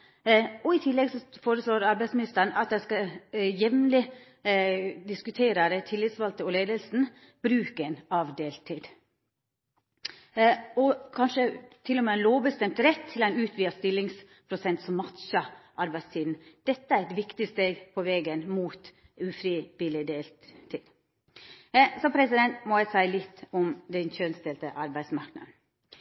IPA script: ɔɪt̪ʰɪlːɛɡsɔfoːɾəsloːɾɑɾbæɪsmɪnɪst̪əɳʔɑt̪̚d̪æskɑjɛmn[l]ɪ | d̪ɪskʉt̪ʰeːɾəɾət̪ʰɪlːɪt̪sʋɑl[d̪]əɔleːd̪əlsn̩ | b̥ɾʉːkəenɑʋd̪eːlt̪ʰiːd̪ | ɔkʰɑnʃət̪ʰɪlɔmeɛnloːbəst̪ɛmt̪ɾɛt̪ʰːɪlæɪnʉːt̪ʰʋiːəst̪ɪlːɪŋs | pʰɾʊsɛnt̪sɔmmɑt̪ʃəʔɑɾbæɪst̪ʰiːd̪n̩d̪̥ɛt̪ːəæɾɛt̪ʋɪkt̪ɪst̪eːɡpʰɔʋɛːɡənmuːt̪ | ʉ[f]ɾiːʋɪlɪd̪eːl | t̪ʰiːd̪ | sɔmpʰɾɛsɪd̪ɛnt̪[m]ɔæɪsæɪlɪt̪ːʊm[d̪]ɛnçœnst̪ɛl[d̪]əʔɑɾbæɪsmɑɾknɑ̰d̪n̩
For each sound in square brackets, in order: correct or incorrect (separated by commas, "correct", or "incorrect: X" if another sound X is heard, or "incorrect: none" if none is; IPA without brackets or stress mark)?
correct, incorrect: t̪, correct, correct, correct, incorrect: t̪